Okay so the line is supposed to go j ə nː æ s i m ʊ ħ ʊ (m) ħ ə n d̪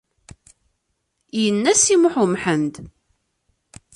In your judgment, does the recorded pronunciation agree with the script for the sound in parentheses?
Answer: yes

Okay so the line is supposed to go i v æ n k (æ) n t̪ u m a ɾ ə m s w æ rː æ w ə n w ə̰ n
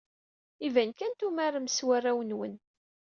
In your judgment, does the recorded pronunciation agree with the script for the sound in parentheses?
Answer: yes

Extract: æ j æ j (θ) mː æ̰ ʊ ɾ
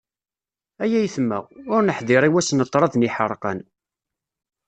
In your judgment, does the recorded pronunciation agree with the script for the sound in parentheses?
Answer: yes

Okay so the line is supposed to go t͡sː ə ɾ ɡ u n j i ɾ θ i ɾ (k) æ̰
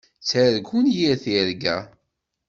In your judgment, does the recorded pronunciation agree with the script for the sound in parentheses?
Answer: no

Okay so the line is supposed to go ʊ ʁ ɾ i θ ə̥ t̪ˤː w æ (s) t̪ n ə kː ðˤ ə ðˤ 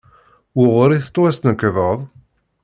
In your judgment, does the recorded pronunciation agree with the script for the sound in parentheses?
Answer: yes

